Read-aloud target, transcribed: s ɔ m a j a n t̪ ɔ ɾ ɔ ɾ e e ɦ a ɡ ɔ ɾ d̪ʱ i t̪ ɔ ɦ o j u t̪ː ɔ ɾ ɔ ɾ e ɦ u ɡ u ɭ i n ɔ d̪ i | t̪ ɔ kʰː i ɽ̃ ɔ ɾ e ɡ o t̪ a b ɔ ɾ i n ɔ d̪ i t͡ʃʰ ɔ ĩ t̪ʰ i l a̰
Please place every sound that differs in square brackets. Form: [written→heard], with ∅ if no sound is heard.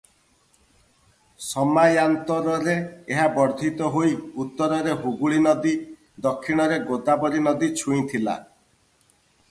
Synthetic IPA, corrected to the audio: s ɔ m a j a n t̪ ɔ ɾ ɔ ɾ e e ɦ a [ɡ→b] ɔ ɾ d̪ʱ i t̪ ɔ ɦ o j u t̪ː ɔ ɾ ɔ ɾ e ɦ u ɡ u ɭ i n ɔ d̪ i | [t̪→d̪] ɔ kʰː i ɽ̃ ɔ ɾ e ɡ o [t̪→d̪] a b ɔ ɾ i n ɔ d̪ i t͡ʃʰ [ɔ→u] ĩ t̪ʰ i l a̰